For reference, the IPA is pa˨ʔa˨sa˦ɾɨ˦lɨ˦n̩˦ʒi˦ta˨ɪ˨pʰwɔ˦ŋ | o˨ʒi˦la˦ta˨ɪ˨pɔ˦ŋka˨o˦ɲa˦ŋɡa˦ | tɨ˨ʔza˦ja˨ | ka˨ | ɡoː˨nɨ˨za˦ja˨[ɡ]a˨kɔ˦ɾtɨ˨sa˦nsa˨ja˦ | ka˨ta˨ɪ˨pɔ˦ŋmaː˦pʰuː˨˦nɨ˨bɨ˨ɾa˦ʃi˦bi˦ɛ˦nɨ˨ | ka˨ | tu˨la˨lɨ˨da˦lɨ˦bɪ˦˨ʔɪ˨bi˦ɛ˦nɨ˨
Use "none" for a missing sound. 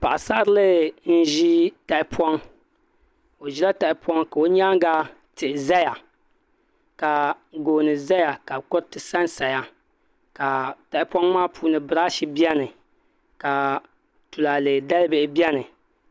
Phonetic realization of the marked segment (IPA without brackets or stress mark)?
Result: k